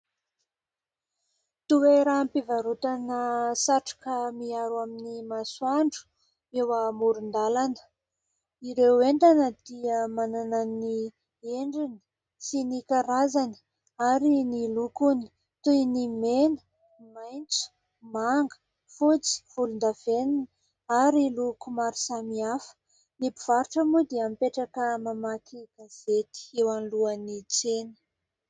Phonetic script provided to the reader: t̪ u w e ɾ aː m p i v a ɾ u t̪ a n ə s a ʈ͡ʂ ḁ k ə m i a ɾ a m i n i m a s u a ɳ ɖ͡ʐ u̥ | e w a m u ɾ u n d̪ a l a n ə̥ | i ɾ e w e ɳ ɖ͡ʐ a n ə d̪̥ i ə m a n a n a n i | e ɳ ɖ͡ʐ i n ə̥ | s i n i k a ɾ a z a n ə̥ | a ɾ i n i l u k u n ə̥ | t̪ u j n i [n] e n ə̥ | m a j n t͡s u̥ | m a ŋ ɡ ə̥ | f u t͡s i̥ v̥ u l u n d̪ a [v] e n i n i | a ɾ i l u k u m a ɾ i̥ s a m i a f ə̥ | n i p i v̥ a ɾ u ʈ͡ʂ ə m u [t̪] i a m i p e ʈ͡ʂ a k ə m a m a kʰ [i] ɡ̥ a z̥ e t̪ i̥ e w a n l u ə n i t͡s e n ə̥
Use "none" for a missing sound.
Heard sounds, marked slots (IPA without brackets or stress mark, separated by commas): m, v, d̪, i